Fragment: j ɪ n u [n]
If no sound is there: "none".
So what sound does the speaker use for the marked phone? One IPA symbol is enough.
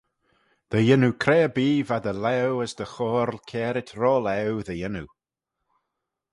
none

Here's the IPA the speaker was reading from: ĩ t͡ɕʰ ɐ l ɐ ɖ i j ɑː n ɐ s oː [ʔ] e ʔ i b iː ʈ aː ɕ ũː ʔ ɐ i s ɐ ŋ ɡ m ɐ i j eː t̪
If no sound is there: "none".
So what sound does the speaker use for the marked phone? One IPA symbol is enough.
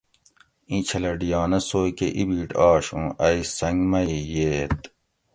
k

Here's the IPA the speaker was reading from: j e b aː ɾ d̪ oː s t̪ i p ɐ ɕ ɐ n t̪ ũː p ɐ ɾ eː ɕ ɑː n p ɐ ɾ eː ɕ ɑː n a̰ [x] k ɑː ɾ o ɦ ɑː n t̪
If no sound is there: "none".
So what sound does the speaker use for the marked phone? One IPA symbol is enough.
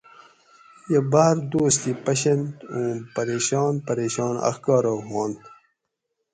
x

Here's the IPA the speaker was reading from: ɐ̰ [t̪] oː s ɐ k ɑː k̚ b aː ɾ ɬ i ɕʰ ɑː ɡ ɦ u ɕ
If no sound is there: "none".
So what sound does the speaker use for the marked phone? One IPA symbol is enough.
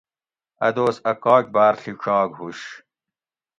d̪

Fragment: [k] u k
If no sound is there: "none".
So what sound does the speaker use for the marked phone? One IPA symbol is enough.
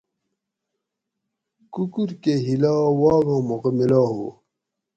k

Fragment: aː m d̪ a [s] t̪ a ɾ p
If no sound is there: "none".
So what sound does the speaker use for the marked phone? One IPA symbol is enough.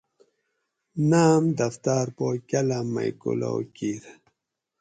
f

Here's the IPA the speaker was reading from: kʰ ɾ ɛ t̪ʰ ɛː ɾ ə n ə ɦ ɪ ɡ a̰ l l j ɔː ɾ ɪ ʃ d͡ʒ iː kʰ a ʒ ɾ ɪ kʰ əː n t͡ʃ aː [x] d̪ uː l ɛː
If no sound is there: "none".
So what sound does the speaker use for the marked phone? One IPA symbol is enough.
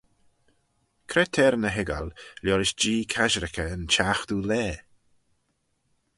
x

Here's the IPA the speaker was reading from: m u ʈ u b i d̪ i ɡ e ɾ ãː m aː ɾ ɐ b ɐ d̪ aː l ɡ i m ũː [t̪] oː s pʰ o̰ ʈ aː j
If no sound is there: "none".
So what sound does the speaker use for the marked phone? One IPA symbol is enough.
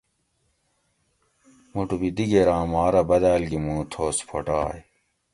t̪ʰ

